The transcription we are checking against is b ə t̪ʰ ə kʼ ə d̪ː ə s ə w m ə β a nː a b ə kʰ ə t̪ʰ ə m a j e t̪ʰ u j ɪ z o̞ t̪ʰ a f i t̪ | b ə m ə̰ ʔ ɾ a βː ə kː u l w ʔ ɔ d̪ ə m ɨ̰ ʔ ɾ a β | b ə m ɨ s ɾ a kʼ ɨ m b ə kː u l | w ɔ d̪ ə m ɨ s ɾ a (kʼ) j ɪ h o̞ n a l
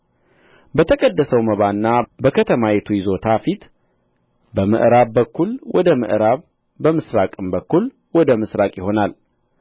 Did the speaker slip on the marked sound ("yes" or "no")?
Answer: no